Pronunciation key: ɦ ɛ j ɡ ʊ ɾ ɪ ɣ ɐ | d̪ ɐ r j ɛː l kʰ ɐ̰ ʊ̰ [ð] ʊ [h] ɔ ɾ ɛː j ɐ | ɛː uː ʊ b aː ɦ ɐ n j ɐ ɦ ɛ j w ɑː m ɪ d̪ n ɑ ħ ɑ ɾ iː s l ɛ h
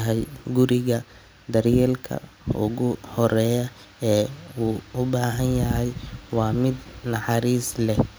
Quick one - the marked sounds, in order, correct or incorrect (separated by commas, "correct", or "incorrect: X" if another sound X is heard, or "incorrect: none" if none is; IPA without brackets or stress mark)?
incorrect: ɣ, correct